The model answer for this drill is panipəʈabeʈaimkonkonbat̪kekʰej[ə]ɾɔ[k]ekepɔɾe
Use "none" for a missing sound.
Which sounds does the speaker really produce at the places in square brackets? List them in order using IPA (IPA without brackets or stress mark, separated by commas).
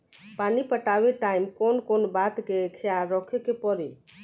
a, kʰ